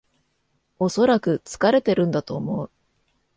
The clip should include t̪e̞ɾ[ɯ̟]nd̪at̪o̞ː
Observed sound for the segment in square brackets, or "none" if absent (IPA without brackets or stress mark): ɯ̟̃